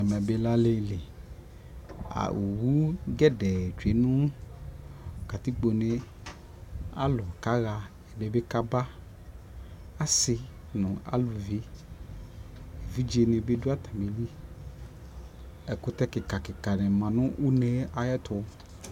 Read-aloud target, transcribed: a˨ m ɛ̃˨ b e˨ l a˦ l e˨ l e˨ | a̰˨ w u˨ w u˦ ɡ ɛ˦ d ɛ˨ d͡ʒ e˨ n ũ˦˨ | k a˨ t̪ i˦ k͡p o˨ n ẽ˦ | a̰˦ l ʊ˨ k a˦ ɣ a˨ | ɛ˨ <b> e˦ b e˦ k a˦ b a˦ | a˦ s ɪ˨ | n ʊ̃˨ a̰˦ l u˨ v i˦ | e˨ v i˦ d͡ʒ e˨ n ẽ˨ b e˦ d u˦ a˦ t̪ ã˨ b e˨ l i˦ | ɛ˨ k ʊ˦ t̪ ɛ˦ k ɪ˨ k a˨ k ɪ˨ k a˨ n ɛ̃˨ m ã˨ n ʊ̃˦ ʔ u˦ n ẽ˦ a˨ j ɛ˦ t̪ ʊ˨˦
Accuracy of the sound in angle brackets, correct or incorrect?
correct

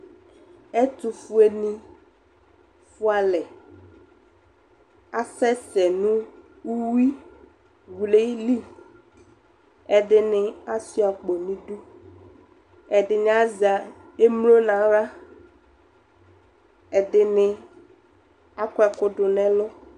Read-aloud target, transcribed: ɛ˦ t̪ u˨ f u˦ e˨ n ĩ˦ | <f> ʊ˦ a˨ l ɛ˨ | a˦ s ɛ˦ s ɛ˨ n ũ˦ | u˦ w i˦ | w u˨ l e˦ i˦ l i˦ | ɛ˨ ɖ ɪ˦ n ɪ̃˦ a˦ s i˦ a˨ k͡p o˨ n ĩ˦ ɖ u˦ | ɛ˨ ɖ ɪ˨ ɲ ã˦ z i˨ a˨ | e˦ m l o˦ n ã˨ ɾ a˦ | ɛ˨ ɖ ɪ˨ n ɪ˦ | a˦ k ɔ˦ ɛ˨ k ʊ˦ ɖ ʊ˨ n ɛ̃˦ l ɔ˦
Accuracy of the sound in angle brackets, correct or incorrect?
correct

